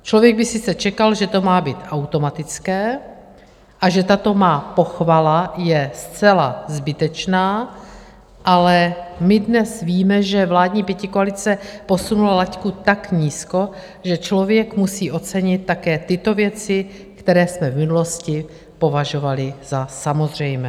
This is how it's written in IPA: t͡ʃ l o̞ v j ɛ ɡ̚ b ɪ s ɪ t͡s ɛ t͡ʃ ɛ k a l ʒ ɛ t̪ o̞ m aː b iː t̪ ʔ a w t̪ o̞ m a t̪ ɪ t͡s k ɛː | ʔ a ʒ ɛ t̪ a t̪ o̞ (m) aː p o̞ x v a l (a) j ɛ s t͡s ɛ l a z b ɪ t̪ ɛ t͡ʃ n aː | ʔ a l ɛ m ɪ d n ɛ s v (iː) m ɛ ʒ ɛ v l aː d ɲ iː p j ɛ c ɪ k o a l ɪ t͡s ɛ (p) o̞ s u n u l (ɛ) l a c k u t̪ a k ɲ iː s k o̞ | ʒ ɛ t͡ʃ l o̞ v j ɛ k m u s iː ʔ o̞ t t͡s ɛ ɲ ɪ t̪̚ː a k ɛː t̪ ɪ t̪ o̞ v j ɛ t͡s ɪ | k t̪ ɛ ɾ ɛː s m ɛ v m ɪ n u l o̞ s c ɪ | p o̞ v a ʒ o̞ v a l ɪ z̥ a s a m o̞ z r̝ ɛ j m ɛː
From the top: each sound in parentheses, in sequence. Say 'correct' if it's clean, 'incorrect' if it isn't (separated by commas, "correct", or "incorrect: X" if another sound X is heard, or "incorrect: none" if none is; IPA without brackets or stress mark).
correct, correct, correct, correct, incorrect: a